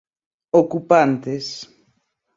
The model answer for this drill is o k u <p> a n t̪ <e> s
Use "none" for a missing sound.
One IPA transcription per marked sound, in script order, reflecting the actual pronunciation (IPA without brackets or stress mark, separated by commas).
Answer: p, e